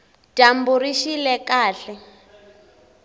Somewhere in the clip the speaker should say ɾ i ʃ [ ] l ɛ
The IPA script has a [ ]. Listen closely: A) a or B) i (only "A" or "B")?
B